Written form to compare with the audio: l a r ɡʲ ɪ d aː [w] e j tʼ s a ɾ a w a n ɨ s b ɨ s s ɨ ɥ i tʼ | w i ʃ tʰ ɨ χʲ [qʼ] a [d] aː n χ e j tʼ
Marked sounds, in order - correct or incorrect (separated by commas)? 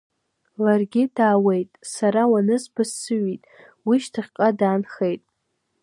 correct, correct, correct